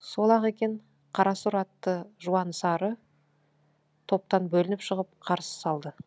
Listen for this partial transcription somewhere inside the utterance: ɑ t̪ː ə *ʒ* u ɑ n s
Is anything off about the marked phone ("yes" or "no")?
no